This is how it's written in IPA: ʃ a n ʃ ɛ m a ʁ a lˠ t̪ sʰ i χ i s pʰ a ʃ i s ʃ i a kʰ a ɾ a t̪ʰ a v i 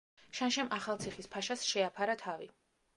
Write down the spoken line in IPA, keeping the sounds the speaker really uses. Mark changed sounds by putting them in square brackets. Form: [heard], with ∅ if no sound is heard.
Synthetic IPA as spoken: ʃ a n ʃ ɛ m a [χ] a lˠ t̪ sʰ i χ i s pʰ a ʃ [a] s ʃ [ɛ] a [pʰ] a ɾ a t̪ʰ a v i